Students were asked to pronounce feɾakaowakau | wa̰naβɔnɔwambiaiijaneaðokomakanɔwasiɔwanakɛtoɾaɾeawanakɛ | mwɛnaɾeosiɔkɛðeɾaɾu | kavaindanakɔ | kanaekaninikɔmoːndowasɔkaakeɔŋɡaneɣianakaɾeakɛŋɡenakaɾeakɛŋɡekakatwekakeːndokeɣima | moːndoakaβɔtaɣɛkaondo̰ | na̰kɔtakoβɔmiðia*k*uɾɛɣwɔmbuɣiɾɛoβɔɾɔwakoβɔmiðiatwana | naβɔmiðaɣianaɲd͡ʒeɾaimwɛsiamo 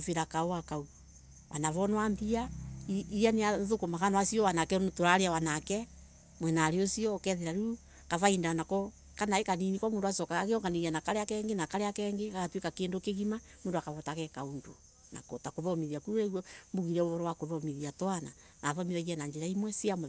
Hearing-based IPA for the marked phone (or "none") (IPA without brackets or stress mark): k